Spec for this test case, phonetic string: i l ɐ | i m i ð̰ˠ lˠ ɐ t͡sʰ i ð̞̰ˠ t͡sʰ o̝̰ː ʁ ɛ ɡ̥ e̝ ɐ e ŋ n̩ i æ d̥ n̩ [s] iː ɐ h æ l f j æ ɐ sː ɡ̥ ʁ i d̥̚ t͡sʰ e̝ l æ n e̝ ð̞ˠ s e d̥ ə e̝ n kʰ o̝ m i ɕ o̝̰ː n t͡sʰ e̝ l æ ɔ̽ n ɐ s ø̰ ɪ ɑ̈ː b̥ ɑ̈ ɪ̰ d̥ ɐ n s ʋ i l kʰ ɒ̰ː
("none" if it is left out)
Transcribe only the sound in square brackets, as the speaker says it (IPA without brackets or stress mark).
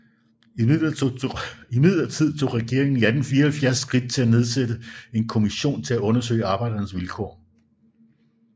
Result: f